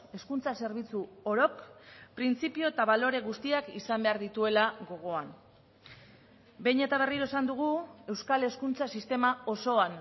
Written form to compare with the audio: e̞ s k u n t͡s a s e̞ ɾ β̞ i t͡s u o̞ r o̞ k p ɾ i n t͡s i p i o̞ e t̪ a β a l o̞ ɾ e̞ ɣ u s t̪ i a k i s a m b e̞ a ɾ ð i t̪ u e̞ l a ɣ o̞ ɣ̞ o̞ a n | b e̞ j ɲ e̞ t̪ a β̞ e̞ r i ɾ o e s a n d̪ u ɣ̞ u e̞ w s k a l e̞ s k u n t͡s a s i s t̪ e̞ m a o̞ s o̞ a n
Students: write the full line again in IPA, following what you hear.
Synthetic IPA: e̞ s k u n t͡s a s e̞ ɾ β̞ i t͡s u o̞ ɾ o̞ k p ɾ i n t͡s i p i o̞ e t̪ a β a l o̞ ɾ e̞ ɣ u s t̪ i a k i s a m b e̞ a ɾ ð i t̪ u e̞ l a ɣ o̞ ɣ̞ o̞ a n | b e̞ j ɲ e̞ t̪ a β̞ e̞ r i ɾ o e s a n d̪ u ɣ̞ u e̞ w s k a l e̞ s k u n t͡s a s i s t̪ e̞ m a o̞ s o̞ a n